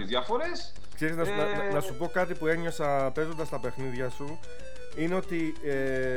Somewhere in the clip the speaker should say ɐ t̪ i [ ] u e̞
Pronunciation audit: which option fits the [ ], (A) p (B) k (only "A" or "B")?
A